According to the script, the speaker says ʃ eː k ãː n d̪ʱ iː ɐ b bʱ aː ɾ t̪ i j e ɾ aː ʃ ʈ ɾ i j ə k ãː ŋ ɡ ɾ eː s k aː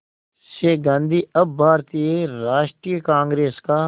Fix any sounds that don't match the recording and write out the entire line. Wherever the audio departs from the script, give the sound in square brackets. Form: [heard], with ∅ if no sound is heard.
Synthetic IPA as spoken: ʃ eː [ɡ] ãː n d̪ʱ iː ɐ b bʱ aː ɾ t̪ i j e ɾ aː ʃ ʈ ɾ i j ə k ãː ŋ ɡ ɾ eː s k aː